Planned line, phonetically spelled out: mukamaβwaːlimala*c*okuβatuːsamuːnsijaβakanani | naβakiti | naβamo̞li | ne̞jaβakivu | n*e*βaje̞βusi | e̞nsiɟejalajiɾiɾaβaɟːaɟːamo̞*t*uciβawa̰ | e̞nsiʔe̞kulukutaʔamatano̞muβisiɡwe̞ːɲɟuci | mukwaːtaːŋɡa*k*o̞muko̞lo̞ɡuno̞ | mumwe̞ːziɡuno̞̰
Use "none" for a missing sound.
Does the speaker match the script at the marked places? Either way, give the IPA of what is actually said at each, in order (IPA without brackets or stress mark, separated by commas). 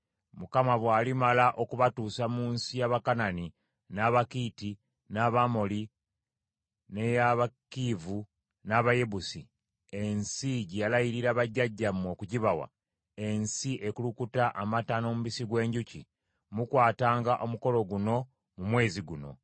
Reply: ʔ, a, k, ʔ